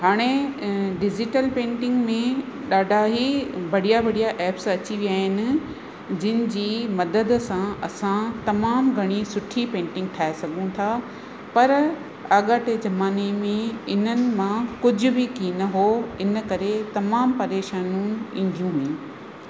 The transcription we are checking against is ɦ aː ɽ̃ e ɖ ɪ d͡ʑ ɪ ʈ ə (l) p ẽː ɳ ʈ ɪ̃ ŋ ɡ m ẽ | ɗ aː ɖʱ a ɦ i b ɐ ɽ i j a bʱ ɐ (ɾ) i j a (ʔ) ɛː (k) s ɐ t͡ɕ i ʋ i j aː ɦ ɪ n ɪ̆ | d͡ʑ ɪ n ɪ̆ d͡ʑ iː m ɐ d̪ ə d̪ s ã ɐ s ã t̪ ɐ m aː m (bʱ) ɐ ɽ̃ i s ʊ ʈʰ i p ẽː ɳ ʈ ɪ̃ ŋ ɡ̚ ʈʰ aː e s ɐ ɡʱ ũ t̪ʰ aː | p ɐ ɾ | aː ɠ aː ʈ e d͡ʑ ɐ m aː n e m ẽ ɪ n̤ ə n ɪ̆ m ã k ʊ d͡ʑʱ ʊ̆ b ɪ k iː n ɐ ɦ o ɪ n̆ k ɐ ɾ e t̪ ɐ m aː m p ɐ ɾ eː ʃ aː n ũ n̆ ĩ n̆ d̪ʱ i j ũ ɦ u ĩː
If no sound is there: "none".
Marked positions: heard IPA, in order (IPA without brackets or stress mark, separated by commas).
l, ɽ, ʔ, p, ɡʱ